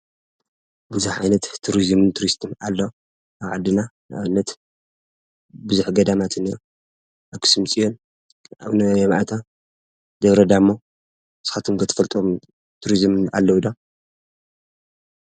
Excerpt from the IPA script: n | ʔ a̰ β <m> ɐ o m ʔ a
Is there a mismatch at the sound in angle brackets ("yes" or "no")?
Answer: yes